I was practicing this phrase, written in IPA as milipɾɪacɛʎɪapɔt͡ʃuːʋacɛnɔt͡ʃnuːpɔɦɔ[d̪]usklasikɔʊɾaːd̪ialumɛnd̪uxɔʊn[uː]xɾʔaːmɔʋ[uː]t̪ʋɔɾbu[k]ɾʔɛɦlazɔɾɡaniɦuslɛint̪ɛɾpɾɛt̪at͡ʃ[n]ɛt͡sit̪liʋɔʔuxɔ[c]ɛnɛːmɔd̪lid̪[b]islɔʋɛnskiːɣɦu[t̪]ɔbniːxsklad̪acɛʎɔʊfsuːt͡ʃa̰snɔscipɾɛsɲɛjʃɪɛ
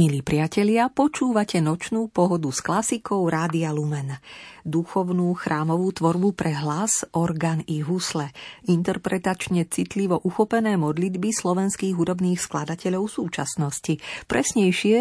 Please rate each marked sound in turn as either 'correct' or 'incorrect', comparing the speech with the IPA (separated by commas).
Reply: correct, correct, correct, incorrect, incorrect, incorrect, correct, incorrect